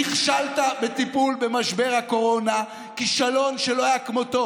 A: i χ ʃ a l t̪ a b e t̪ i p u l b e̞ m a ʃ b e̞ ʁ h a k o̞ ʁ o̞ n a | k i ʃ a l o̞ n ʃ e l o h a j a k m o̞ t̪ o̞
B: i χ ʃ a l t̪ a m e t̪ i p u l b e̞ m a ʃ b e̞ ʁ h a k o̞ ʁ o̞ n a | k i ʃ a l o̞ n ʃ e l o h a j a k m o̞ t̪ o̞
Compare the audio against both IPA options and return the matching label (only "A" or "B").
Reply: A